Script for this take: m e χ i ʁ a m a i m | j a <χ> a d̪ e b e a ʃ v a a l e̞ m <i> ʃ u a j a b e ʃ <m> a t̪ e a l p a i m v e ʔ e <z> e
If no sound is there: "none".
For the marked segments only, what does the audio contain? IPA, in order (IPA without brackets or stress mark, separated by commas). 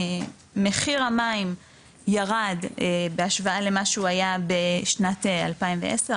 ʁ, a, n, s